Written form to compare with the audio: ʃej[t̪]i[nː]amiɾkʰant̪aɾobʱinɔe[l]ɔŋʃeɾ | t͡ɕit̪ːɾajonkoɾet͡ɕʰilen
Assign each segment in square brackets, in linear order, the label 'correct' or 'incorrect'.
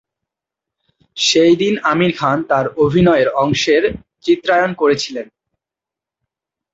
incorrect: d̪, incorrect: n, incorrect: ɾ

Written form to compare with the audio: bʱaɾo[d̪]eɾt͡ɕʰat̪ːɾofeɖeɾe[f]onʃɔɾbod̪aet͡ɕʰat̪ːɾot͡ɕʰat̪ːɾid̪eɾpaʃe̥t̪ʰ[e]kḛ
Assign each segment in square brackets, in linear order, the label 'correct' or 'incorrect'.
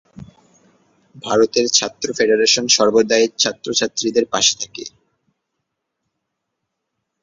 incorrect: t̪, incorrect: ʃ, incorrect: a

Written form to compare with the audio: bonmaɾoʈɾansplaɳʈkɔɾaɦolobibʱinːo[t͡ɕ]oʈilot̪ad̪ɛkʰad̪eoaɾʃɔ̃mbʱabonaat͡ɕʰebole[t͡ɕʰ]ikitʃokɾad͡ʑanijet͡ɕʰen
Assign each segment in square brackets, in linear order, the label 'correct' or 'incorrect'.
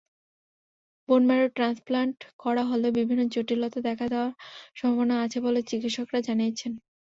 correct, incorrect: t͡ɕ

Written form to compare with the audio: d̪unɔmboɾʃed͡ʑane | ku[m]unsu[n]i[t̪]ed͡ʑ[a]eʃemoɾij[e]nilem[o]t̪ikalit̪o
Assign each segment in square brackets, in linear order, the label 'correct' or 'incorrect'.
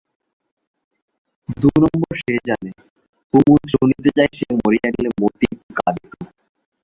correct, correct, correct, correct, incorrect: a, correct

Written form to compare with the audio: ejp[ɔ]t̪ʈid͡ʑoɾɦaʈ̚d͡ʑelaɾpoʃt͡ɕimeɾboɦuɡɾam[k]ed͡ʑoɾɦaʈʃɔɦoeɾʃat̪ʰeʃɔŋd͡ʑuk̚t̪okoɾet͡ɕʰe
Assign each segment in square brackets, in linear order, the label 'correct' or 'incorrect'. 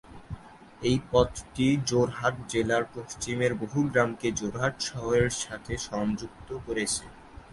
correct, correct

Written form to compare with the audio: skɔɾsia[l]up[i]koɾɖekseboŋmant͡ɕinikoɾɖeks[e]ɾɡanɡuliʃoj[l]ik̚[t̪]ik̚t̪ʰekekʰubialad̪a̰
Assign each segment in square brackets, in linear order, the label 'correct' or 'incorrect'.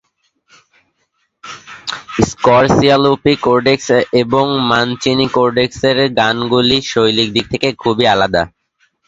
correct, correct, correct, correct, incorrect: d̪

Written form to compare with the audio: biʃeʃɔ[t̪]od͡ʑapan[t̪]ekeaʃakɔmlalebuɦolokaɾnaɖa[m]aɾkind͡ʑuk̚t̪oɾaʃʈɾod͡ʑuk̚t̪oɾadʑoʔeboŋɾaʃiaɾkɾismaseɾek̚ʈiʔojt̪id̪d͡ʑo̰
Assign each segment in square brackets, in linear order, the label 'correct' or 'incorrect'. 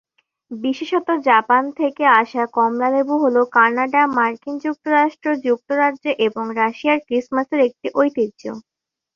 correct, incorrect: t̪ʰ, correct

